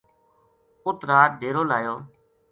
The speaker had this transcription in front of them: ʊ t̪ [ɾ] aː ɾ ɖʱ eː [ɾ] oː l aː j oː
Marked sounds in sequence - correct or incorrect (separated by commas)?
correct, correct